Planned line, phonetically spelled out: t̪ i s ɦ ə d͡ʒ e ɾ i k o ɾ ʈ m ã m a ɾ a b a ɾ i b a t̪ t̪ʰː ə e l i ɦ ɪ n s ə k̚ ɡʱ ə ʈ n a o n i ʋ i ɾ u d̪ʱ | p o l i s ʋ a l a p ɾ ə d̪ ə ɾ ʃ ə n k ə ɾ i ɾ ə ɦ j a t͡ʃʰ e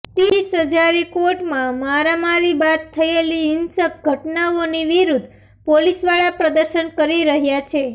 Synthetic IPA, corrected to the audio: t̪ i s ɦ ə d͡ʒ a ɾ i k o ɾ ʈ m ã m a ɾ a m a ɾ i b a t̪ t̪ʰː ə e l i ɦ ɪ n s ə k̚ ɡʱ ə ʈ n a o n i ʋ i ɾ u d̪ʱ | p o l i s ʋ a ɭ a p ɾ ə d̪ ə ɾ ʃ ə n k ə ɾ i ɾ ə ɦ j a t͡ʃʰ e